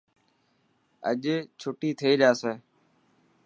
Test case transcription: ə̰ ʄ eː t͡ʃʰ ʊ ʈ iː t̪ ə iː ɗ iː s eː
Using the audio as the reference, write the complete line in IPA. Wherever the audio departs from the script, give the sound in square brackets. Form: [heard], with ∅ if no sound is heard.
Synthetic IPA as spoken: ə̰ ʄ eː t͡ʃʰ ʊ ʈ iː [t̪ʰ] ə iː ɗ [aː] s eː